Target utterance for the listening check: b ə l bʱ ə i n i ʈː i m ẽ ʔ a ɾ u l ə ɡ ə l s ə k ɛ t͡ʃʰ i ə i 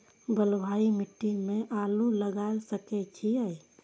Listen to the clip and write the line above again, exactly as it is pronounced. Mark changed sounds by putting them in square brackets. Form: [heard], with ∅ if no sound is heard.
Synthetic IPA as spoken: b ə l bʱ [a] i [m] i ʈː i m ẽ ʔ a [l] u l ə ɡ [a] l s ə k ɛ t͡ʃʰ i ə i